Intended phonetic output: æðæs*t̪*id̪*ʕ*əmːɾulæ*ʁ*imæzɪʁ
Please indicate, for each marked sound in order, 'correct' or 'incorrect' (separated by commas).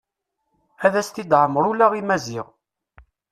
correct, correct, correct